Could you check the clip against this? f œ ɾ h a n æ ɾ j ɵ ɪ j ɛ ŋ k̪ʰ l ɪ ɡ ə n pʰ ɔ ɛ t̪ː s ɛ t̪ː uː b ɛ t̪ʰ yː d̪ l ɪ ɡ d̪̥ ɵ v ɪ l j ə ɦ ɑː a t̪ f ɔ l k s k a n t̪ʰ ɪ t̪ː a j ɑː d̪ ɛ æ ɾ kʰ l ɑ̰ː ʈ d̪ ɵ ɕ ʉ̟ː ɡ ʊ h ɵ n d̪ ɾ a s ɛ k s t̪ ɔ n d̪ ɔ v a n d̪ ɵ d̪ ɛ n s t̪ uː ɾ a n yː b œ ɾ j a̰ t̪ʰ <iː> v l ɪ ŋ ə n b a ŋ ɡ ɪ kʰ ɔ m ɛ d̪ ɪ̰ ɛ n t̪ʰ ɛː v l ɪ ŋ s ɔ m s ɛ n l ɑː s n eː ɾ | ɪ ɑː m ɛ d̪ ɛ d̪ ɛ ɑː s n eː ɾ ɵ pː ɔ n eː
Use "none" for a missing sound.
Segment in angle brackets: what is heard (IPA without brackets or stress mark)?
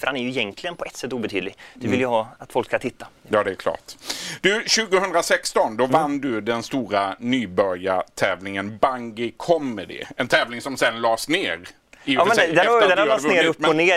ɛː